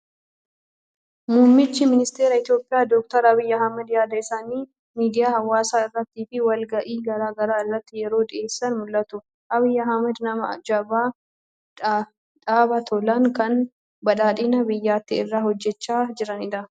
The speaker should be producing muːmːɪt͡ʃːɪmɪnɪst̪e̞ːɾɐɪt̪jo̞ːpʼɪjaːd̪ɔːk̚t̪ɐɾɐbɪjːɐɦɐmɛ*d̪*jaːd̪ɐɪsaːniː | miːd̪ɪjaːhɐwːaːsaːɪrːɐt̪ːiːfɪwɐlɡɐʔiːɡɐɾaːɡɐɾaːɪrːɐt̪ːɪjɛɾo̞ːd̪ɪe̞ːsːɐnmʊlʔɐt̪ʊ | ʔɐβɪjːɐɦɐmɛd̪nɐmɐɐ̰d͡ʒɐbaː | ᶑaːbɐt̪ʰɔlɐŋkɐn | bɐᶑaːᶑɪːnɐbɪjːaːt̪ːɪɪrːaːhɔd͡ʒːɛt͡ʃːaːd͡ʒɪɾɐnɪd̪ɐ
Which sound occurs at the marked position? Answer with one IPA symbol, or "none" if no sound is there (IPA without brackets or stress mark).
d̪